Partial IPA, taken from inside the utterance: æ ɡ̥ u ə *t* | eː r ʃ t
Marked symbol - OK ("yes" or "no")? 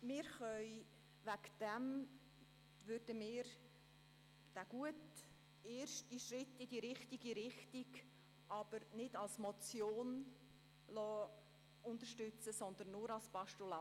yes